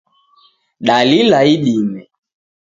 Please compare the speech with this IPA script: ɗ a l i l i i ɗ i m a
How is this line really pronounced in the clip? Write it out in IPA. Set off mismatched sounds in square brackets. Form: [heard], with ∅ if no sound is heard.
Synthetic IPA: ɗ a l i l [a] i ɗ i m [ɛ]